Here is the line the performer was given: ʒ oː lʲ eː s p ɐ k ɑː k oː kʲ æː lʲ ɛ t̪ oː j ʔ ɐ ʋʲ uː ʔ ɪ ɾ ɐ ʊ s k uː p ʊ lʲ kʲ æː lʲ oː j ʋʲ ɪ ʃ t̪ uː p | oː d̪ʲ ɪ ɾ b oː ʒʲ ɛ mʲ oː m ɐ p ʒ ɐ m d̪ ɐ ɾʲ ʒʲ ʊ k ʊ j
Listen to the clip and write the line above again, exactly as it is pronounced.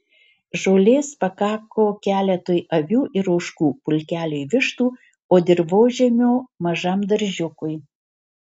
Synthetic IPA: ʒ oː lʲ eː s p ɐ k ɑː k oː kʲ æː lʲ ɛ t̪ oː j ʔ ɐ ʋʲ uː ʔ ɪ ɾ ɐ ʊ ʃ k uː p ʊ lʲ kʲ æː lʲ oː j ʋʲ ɪ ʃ t̪ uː | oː d̪ʲ ɪ ɾ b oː ʒʲ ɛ mʲ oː m ɐ ʒ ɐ m d̪ ɐ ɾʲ ʒʲ ʊ k ʊ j